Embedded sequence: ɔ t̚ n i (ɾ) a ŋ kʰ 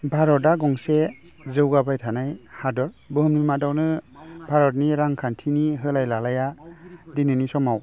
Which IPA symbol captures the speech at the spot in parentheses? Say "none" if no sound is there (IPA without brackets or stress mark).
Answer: ɾ